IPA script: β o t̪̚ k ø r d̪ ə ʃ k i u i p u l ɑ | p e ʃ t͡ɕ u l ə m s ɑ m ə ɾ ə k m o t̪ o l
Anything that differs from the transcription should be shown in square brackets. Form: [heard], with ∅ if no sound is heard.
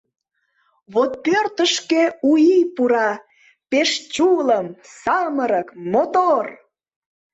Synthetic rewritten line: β o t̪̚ [p] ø r [t̪] ə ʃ k [e] u i p u [ɾ] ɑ | p e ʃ t͡ɕ u l ə m s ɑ m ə ɾ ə k m o t̪ o [r]